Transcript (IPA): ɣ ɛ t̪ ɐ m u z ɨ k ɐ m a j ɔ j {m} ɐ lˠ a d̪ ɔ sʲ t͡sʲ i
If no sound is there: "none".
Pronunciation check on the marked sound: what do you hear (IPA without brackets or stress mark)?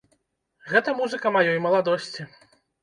m